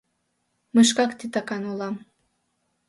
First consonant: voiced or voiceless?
voiced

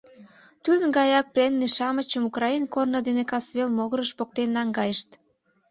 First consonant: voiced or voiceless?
voiceless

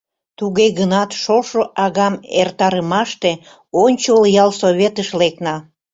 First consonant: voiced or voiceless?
voiceless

